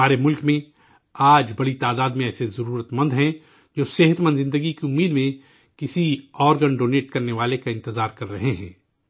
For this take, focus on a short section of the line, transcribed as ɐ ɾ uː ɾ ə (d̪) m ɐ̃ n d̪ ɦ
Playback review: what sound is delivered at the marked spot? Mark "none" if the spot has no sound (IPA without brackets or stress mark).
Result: t̪